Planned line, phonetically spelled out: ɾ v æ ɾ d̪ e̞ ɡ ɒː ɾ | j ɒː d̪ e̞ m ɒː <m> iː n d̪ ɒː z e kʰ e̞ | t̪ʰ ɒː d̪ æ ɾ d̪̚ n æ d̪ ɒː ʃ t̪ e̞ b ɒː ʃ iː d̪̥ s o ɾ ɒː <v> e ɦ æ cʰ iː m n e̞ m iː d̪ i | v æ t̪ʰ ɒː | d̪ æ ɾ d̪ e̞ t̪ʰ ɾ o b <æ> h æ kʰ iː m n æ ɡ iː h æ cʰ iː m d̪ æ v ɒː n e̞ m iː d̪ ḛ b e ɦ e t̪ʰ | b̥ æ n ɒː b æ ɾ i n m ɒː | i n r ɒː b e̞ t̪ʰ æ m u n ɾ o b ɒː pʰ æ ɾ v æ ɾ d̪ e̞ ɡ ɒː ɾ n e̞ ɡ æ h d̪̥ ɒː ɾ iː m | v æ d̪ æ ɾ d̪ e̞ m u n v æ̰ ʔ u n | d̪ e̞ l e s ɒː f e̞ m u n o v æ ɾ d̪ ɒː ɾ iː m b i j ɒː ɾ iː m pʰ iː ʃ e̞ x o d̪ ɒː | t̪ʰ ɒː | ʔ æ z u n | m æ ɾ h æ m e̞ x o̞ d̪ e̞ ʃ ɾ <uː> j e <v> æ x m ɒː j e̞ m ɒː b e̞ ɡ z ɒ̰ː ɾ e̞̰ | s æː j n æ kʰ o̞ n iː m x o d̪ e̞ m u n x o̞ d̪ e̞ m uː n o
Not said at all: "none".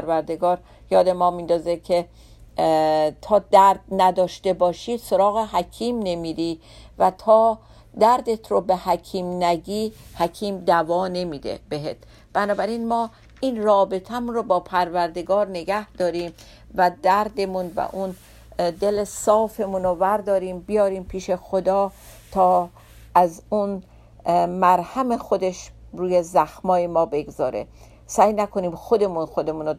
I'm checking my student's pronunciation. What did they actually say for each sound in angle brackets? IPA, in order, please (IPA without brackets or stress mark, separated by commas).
m, ɣ, e, uː, z